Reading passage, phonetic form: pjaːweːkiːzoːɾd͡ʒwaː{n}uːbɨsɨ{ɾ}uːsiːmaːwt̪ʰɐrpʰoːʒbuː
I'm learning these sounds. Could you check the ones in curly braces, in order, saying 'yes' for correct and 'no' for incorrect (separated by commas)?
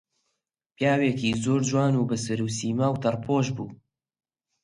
yes, yes